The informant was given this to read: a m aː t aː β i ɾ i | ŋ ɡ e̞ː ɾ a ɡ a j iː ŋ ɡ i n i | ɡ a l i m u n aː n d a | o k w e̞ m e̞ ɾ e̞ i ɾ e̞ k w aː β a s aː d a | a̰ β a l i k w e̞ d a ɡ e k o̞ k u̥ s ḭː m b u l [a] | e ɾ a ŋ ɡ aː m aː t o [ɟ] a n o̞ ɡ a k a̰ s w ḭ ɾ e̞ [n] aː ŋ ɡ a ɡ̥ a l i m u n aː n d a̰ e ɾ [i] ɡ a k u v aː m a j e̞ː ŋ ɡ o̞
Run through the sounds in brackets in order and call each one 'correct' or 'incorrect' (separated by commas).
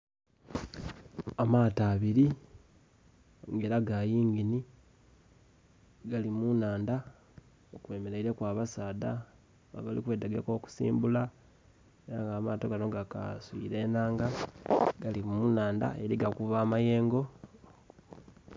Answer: correct, incorrect, correct, correct